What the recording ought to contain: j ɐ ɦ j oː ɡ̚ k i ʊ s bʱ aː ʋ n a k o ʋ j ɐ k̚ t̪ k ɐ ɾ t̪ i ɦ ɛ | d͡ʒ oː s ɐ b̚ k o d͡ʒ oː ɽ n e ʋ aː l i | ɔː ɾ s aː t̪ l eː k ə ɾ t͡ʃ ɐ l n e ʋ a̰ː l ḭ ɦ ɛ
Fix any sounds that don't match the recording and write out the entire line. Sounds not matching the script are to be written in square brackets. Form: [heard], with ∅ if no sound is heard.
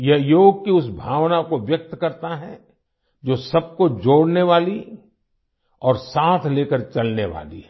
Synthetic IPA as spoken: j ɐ ɦ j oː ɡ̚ k i ʊ s bʱ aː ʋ n a k o ʋ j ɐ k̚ t̪ k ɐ ɾ t̪ [a] ɦ ɛ | d͡ʒ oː s ɐ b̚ k o d͡ʒ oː ɽ n e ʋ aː l i | ɔː ɾ s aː [t̪ʰ] l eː k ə ɾ t͡ʃ ɐ l n e ʋ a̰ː l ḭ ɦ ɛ